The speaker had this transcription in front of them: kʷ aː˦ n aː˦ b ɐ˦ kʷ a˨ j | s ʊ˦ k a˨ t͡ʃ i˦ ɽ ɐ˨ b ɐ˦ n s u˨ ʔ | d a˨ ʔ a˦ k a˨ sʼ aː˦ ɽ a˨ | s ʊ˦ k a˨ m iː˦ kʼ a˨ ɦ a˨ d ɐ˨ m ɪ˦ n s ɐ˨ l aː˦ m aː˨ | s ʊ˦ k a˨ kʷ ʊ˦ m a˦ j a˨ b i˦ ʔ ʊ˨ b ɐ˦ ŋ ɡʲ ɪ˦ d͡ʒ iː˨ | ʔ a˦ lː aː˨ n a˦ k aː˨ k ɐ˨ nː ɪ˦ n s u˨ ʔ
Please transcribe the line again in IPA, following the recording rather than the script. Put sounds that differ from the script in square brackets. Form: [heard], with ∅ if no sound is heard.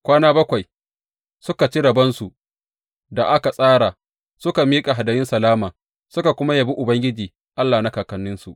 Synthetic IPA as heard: kʷ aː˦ n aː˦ b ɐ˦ kʷ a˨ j | s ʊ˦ k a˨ t͡ʃ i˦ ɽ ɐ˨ b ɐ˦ n s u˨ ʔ | d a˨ ʔ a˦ k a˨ sʼ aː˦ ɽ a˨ | s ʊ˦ k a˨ m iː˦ kʼ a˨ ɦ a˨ d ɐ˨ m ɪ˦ n s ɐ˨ l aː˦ m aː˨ | s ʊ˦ k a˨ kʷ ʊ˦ m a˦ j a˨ b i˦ ʔ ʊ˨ b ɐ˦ ŋ ɡʲ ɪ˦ d͡ʒ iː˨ | ʔ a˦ lː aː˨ n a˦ k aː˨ k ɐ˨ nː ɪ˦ n s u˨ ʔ

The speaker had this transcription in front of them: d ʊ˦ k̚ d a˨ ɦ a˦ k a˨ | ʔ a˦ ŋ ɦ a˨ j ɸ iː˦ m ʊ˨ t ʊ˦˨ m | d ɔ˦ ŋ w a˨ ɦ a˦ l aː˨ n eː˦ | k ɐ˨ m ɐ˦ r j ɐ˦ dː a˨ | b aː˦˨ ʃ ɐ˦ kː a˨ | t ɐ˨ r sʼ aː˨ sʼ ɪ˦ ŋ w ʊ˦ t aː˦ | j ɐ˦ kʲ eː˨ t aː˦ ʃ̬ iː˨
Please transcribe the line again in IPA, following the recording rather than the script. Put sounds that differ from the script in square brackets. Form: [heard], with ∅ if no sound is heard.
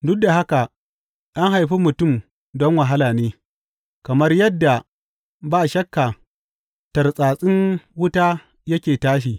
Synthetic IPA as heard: d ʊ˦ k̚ d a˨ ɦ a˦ k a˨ | ʔ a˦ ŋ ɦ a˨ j ɸ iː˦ m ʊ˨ t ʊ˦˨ m | d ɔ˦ ŋ w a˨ ɦ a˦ l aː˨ n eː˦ | k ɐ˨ m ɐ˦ r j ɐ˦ dː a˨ | b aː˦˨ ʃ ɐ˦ kː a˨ | t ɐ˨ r sʼ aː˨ sʼ ɪ˦ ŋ w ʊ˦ t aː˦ | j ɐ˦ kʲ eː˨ t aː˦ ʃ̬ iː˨

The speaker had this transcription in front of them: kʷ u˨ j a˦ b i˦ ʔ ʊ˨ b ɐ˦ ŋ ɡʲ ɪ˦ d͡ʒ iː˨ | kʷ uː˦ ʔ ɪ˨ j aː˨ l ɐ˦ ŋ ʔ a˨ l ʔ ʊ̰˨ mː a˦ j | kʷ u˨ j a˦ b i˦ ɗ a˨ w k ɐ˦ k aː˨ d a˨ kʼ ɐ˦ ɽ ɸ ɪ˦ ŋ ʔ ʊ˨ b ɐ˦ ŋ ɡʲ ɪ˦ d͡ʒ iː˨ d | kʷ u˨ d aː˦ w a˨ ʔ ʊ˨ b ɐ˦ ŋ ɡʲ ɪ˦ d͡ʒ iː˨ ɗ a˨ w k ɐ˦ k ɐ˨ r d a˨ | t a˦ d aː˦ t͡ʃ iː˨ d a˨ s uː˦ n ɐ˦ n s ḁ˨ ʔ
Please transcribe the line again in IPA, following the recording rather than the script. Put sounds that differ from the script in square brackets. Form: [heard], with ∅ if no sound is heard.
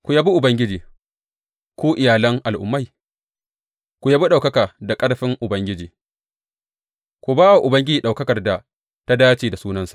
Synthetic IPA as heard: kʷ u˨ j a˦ b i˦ ʔ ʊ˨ b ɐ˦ ŋ ɡʲ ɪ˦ d͡ʒ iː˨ | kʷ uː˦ ʔ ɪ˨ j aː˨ l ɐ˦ ŋ ʔ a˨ l ʔ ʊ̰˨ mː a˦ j | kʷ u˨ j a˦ b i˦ ɗ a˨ w k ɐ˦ k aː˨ d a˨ kʼ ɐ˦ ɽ ɸ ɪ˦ ŋ ʔ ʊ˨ b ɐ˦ ŋ ɡʲ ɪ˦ d͡ʒ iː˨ [∅] | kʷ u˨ [b] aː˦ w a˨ ʔ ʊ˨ b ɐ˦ ŋ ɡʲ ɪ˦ d͡ʒ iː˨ ɗ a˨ w k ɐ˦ k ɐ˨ r d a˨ | t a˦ d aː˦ t͡ʃ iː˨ d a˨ s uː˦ n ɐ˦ n s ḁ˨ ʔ

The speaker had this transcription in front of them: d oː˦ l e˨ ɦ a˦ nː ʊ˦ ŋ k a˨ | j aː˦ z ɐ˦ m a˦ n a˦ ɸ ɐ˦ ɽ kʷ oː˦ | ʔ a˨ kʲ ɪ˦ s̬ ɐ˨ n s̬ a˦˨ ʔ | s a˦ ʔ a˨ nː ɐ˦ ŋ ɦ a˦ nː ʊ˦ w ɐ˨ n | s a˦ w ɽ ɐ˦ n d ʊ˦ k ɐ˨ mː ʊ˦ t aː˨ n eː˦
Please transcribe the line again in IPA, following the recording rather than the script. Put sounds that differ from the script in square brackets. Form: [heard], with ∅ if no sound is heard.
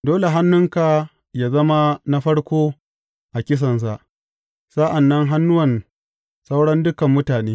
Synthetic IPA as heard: d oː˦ l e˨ ɦ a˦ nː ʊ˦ ŋ k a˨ | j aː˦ z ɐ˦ m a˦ n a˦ ɸ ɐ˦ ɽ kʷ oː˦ | ʔ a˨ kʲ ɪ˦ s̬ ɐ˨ n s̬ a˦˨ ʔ | s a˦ ʔ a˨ nː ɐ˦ ŋ ɦ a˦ nː ʊ˦ w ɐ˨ n | s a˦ w ɽ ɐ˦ n d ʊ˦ k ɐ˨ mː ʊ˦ t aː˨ n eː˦

